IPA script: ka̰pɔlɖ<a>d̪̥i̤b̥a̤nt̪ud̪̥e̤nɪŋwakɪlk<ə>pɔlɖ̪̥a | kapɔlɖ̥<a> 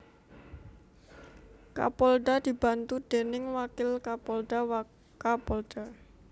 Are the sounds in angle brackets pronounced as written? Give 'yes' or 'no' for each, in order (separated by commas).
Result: yes, no, yes